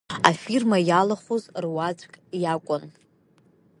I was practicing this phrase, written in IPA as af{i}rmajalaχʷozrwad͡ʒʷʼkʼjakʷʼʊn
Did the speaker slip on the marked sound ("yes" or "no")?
no